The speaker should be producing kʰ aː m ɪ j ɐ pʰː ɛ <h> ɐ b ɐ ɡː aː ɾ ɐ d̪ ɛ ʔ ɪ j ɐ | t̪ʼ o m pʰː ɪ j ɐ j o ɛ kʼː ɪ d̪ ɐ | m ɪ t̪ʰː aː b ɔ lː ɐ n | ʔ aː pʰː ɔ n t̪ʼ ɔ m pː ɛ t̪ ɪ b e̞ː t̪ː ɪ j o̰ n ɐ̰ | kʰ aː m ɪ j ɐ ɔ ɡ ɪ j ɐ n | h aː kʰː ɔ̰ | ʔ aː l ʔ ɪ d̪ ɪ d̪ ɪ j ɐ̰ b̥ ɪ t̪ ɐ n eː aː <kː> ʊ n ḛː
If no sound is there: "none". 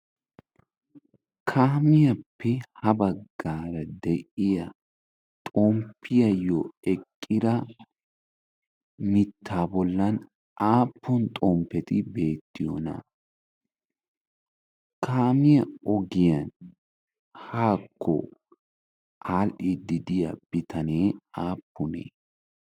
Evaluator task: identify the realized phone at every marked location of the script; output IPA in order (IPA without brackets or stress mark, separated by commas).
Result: h, pː